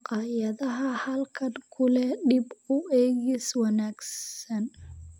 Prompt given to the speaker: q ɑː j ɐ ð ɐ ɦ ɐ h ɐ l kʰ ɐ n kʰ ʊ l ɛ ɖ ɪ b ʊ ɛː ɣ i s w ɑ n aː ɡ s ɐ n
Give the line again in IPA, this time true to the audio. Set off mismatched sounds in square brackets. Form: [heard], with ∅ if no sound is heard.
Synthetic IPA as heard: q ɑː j ɐ ð ɐ ɦ ɐ h ɐ l kʰ ɐ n kʰ ʊ l ɛ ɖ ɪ b ʊ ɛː ɣ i s w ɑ n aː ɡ s ɐ n